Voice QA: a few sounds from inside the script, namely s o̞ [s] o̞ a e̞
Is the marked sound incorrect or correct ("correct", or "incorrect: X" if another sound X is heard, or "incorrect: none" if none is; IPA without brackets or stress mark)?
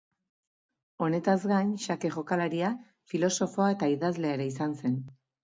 incorrect: f